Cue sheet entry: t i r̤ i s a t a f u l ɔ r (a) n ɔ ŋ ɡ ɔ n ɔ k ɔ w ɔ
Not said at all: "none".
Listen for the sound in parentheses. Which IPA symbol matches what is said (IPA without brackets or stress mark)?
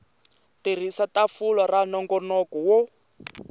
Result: a